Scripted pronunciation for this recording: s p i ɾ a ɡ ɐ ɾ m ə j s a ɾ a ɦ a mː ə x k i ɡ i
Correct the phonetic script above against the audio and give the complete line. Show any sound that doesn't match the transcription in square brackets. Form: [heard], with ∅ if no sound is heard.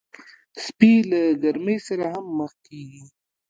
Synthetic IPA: s p i [l] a ɡ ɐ ɾ m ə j s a ɾ a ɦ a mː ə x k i ɡ i